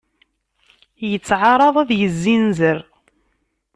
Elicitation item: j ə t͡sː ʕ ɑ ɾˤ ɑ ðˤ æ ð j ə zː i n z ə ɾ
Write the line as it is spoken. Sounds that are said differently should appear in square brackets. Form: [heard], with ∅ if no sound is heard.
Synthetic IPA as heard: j ə t͡sː ʕ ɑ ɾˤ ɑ ðˤ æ ð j ə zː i n z ə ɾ